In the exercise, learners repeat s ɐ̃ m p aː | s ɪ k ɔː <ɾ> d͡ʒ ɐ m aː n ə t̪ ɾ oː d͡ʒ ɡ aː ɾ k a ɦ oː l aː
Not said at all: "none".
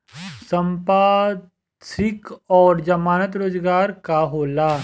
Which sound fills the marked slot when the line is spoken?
ɾ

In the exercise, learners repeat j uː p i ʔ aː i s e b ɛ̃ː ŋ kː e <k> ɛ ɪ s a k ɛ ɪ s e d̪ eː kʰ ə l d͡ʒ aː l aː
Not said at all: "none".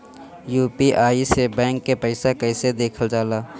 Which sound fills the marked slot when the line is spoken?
p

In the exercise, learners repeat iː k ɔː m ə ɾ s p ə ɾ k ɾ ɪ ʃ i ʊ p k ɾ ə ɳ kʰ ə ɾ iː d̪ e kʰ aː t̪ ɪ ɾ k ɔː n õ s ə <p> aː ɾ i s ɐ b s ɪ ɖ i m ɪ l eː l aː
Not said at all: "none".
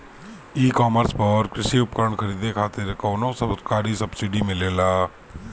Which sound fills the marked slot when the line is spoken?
k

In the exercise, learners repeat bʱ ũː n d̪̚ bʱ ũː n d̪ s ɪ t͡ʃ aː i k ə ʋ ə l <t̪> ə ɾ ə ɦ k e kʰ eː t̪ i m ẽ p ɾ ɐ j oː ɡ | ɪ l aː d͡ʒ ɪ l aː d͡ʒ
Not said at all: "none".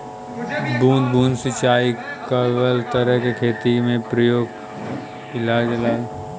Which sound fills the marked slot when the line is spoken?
t̪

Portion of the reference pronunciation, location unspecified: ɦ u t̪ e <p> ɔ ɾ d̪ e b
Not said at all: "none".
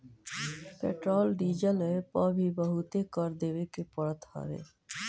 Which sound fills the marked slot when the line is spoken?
k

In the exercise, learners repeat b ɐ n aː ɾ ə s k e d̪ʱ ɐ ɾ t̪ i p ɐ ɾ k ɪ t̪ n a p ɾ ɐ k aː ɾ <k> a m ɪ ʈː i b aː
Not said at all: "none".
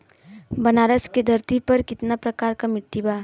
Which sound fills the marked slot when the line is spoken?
k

